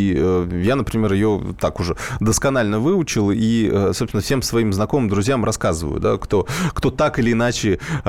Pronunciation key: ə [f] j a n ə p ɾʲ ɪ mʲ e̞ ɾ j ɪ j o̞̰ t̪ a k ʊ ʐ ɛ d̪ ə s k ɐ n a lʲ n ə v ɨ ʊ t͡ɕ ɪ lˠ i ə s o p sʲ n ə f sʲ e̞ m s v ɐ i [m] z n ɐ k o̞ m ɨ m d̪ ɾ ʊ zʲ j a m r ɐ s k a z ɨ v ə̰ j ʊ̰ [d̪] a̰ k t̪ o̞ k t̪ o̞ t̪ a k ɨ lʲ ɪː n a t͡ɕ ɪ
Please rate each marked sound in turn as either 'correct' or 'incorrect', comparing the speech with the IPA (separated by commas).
incorrect, correct, correct